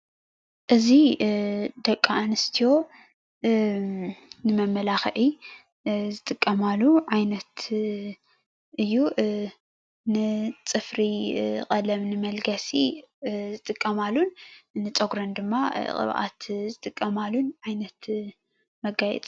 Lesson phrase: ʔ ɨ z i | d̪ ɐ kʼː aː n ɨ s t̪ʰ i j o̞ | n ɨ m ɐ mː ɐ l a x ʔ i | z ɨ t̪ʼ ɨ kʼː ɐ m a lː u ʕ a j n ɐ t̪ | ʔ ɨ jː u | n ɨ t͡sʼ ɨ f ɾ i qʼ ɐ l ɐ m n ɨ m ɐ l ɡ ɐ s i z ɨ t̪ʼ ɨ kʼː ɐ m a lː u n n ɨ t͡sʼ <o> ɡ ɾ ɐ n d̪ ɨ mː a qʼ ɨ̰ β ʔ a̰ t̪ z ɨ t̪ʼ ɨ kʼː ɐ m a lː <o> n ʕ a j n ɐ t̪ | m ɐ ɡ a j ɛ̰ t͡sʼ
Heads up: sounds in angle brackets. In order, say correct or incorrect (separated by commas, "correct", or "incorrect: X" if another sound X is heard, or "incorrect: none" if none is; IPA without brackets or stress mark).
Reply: correct, incorrect: u